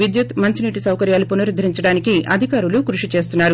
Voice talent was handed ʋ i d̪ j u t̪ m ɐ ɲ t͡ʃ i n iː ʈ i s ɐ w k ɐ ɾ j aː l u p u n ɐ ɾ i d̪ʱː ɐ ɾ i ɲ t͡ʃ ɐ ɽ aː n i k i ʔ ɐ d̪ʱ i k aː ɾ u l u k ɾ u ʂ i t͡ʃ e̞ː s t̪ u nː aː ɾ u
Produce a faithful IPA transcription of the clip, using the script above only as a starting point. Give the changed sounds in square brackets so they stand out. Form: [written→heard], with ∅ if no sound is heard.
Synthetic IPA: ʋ i d̪ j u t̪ m ɐ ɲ t͡ʃ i n iː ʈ i s ɐ w k ɐ ɾ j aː l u p u n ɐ ɾ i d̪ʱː ɐ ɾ i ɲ t͡ʃ ɐ ɽ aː n i k i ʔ ɐ d̪ʱ i k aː ɾ u l u k ɾ u ʂ i t͡ʃ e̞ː s t̪ u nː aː ɾ u